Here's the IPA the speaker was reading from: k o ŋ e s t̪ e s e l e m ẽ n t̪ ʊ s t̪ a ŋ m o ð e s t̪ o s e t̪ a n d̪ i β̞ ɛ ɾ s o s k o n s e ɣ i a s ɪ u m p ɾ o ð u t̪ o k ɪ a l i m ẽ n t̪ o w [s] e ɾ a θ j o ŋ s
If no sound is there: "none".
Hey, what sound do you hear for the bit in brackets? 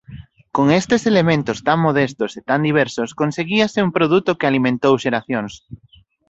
ʃ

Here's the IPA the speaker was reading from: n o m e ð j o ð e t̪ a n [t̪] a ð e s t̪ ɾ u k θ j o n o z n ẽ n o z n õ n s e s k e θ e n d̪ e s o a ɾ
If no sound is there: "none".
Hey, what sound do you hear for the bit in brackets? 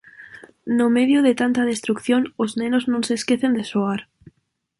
t̪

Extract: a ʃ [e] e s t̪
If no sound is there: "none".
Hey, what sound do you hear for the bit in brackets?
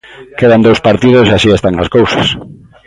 i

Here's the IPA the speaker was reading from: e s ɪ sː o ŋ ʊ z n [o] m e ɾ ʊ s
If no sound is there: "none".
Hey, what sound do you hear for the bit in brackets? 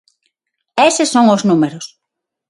u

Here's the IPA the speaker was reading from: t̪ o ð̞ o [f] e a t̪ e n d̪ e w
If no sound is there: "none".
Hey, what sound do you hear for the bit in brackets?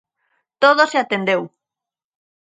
s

